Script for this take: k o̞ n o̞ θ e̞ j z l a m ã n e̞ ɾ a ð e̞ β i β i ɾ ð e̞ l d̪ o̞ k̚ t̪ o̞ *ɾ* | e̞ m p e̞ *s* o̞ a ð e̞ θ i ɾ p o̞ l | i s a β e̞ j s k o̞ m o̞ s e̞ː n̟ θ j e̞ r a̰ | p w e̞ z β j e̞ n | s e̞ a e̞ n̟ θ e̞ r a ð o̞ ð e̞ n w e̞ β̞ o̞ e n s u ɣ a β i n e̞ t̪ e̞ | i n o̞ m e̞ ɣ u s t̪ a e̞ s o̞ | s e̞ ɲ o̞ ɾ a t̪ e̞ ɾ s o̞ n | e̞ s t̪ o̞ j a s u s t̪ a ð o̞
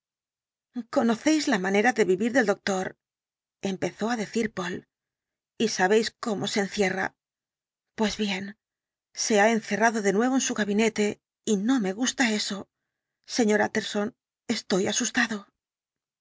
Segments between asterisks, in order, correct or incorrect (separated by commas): correct, incorrect